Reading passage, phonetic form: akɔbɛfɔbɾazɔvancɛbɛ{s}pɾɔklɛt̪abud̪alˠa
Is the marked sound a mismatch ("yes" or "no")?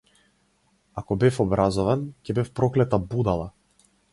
yes